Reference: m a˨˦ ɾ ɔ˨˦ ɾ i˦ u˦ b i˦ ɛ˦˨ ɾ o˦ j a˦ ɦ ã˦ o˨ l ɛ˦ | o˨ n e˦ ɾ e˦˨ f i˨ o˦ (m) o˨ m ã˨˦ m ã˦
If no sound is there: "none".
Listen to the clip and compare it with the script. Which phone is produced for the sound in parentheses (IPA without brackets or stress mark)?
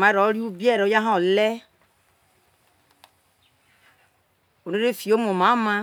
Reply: m